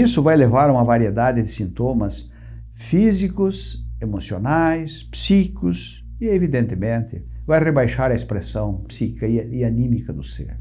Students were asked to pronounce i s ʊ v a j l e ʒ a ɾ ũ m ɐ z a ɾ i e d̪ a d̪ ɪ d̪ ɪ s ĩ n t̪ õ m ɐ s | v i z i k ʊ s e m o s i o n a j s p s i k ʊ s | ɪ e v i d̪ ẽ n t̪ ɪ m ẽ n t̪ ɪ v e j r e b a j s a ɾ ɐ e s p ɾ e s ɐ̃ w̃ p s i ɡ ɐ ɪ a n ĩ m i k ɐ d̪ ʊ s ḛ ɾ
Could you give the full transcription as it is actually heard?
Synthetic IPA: i s ʊ v a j l e v a ɾ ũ m ɐ v a ɾ i e d̪ a d̪ ɪ d̪ ɪ s ĩ n t̪ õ m ɐ s | f i z i k ʊ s e m o s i o n a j s p s i k ʊ s | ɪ e v i d̪ ẽ n t̪ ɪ m ẽ n t̪ ɪ v a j r e b a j ʃ a ɾ ɐ e s p ɾ e s ɐ̃ w̃ p s i k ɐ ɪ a n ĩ m i k ɐ d̪ ʊ s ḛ ɾ